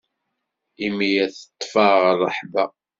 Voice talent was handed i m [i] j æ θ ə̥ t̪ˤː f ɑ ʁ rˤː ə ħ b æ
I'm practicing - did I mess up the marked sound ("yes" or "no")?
no